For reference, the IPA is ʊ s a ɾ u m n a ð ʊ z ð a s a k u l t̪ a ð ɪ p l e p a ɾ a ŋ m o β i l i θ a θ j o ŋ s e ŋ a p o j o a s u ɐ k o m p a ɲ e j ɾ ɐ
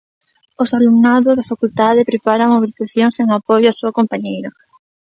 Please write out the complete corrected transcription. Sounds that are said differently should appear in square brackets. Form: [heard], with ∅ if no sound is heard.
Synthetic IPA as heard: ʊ s a [l] u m n a ð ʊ z ð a [f] a k u l t̪ a ð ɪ p [ɾ] e p a ɾ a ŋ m o β i l i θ a θ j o ŋ s e ŋ a p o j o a s u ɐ k o m p a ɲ e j ɾ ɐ